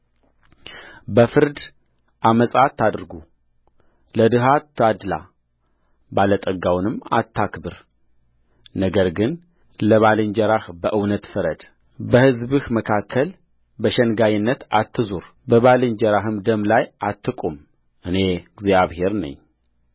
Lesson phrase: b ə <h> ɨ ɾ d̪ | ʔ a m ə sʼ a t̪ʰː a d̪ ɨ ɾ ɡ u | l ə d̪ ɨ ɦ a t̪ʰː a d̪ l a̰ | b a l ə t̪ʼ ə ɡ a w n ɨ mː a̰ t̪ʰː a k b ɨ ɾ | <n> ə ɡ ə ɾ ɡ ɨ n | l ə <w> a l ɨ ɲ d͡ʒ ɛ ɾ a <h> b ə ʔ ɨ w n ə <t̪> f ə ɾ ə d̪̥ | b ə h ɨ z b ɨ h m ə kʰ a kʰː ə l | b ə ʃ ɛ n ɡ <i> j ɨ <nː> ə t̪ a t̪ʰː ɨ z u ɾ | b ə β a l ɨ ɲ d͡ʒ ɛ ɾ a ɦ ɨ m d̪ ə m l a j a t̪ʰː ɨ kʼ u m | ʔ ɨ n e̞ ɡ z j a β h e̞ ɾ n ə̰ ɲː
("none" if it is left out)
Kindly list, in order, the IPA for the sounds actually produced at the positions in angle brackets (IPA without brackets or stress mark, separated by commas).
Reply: f, n, β, h, t̪, a, nː